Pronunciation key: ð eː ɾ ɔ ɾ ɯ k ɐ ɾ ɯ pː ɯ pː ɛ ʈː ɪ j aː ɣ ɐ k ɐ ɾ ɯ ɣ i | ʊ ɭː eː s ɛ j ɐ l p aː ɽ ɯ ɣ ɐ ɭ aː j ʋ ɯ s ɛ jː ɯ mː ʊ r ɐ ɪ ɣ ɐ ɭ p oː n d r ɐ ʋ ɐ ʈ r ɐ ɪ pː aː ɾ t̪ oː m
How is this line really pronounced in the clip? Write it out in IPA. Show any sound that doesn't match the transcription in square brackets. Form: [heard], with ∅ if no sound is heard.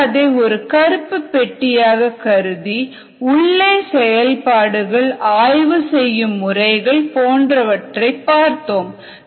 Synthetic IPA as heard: ð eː [∅] ɔ ɾ ɯ k ɐ ɾ ɯ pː ɯ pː ɛ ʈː ɪ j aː ɣ ɐ k ɐ ɾ ɯ [ð] i | ʊ ɭː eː s ɛ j ɐ l p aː ɽ ɯ ɣ ɐ ɭ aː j ʋ ɯ s ɛ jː ɯ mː ʊ r ɐ ɪ ɣ ɐ ɭ p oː n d r ɐ ʋ ɐ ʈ r ɐ ɪ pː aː ɾ t̪ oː m